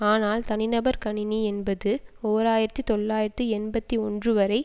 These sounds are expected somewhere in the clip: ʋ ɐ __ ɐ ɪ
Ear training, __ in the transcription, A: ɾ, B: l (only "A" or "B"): A